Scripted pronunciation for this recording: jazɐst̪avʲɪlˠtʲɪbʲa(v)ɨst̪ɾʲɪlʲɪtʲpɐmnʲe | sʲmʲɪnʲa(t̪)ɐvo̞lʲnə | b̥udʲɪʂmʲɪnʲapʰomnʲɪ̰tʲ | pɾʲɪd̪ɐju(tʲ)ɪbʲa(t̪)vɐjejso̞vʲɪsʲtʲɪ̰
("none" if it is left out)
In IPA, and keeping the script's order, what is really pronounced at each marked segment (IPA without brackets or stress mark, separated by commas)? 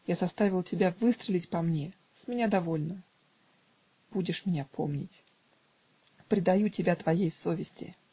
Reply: v, d̪, tʲ, t̪